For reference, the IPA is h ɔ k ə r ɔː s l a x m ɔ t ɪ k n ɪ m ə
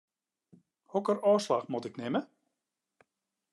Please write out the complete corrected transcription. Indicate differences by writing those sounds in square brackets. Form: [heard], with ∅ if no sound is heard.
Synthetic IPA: h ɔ k ə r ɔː s l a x m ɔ t ɪ k n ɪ m ə